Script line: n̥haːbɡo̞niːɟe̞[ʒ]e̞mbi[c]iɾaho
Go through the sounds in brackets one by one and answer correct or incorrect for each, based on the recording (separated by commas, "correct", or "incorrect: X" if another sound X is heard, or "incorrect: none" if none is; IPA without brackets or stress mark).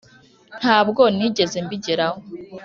incorrect: z, incorrect: ɟ